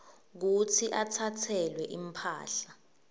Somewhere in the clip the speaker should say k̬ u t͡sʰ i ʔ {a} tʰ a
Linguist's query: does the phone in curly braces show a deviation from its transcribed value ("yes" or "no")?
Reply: no